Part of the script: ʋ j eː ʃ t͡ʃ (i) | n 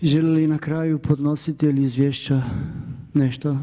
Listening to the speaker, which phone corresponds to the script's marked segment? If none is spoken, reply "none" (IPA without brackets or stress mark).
a